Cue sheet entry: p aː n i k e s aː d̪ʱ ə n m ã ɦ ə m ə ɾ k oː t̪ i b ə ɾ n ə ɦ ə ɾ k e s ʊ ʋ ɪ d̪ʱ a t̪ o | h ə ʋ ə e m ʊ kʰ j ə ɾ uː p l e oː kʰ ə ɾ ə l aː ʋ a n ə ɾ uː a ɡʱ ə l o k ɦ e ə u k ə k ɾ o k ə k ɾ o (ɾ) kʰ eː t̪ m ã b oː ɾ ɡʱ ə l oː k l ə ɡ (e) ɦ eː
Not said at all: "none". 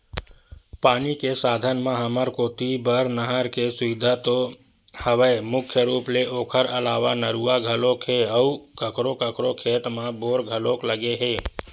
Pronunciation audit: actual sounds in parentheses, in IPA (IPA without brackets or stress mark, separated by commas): none, e